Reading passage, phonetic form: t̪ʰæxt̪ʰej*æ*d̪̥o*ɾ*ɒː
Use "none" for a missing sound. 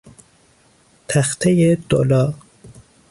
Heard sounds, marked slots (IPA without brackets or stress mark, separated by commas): e, l